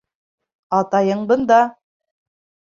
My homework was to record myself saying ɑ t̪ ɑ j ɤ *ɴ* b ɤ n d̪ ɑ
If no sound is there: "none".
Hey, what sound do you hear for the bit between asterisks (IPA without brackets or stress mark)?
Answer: ɴ